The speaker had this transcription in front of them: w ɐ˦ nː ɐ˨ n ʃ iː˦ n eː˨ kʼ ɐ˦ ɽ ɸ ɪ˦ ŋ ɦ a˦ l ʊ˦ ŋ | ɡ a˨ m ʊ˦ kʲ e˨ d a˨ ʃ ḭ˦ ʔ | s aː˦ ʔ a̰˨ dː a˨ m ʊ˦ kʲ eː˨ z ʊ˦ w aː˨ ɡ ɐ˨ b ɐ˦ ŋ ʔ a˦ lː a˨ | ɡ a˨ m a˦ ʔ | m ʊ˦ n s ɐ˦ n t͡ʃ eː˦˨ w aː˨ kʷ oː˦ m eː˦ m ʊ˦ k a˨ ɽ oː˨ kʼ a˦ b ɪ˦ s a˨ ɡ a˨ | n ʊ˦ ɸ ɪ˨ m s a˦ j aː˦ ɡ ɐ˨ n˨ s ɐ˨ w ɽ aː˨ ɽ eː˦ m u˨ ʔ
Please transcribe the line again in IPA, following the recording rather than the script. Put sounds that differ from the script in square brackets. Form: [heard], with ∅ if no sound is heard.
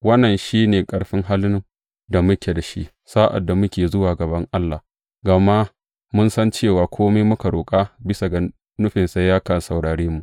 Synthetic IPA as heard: w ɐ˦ nː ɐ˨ n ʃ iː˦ n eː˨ kʼ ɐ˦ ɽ ɸ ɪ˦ ŋ ɦ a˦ l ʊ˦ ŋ | [d] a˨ m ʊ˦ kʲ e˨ d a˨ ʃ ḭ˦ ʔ | s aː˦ ʔ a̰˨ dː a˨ m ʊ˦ kʲ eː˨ z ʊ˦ w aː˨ ɡ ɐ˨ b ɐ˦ ŋ ʔ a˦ lː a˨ | ɡ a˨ m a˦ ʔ | m ʊ˦ n s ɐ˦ n t͡ʃ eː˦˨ w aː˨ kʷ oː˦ m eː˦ m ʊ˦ k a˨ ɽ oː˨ kʼ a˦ b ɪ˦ s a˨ ɡ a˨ | n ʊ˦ ɸ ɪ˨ [n] s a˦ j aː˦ [k] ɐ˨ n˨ s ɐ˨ w ɽ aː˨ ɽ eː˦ m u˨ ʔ

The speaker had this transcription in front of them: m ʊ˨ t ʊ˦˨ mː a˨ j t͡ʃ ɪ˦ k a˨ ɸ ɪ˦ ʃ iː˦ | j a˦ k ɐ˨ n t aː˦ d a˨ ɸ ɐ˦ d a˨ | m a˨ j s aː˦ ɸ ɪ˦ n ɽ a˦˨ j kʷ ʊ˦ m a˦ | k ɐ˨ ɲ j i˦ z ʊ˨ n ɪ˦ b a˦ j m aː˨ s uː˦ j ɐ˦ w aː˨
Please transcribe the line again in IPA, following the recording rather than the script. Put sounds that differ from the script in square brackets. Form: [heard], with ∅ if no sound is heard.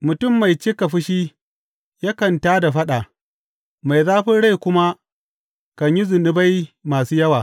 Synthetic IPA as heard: m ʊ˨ t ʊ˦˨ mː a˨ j t͡ʃ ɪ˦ k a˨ ɸ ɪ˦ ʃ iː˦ | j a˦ k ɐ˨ n t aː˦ d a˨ ɸ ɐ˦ [ɗ] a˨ | m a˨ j [z] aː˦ ɸ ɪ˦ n ɽ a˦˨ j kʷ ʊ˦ m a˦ | k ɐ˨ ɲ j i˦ z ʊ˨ n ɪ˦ b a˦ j m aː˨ s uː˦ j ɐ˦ w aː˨

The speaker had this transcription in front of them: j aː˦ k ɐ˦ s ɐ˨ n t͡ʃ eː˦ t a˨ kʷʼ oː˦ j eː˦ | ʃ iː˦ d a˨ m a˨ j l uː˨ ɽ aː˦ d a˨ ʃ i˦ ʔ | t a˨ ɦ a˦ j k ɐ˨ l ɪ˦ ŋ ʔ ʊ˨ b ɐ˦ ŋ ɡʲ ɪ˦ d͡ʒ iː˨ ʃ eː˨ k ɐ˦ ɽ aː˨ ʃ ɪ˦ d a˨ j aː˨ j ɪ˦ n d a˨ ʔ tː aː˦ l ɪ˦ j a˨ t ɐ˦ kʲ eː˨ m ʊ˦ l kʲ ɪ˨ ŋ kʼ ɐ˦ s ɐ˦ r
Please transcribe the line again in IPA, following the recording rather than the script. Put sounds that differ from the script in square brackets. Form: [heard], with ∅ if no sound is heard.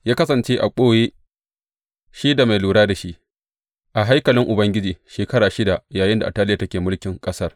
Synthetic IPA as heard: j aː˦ k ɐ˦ s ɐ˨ n t͡ʃ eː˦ [ʔ] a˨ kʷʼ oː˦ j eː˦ | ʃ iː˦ d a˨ m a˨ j l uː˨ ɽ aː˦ d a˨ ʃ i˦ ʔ | [ʔ] a˨ ɦ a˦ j k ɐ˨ l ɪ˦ ŋ ʔ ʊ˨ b ɐ˦ ŋ ɡʲ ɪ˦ d͡ʒ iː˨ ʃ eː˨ k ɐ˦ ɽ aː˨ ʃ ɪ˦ d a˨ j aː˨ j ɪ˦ n d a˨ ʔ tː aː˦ l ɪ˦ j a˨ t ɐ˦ kʲ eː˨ m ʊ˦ l kʲ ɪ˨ ŋ kʼ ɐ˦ s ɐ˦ r

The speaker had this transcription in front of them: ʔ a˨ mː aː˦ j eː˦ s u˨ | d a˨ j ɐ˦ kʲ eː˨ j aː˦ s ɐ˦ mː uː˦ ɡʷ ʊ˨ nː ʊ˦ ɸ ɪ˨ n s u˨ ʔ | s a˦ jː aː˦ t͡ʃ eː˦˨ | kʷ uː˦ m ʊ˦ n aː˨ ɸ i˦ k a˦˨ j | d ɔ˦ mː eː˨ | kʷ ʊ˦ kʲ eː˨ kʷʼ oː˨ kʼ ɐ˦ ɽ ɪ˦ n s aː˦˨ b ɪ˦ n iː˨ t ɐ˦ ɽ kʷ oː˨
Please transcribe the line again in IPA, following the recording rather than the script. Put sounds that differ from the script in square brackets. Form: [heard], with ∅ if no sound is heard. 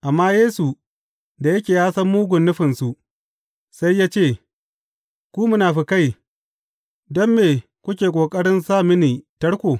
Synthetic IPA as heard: ʔ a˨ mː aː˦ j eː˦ s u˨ | d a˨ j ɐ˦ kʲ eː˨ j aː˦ s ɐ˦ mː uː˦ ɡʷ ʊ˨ nː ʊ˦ ɸ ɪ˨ n s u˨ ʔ | s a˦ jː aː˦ t͡ʃ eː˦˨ | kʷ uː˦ m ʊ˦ n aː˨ ɸ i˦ k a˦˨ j | d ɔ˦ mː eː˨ | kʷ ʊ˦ kʲ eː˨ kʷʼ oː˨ kʼ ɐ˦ ɽ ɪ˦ n s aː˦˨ [m] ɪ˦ n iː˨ t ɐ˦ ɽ kʷ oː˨

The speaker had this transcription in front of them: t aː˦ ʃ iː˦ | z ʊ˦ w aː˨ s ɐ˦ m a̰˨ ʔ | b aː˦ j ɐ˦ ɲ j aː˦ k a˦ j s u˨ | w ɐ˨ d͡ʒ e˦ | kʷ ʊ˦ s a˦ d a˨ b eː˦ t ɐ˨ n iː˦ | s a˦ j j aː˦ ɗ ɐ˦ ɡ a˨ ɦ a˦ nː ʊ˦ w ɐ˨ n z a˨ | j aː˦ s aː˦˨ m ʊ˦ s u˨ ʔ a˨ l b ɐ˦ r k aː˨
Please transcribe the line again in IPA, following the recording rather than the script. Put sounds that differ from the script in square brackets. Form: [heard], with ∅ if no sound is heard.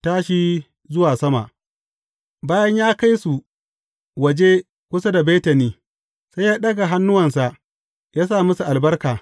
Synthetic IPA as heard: t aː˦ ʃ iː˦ | z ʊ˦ w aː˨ s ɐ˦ m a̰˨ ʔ | b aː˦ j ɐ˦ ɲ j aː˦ k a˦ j s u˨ | w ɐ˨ d͡ʒ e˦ | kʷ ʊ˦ s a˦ d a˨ b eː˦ t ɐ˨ n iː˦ | s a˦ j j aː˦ ɗ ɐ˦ ɡ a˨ ɦ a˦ nː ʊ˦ w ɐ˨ n [s] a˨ | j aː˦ s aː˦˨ m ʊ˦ s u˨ ʔ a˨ l b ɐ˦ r k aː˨

